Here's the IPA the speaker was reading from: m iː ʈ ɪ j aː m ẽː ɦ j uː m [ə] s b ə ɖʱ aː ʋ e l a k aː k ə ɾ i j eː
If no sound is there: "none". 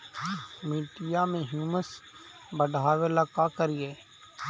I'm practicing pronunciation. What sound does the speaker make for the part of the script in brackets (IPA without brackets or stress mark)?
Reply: ə